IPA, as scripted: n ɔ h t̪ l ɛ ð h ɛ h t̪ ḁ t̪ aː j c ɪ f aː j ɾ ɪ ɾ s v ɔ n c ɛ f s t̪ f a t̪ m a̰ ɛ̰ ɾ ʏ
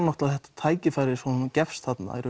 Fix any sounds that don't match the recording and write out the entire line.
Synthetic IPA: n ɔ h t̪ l a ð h ɛ h t̪ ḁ t̪ʰ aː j c ɪ f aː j ɾ ɪ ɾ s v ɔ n c ɛ f s t̪ h a t̪ n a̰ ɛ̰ ɾ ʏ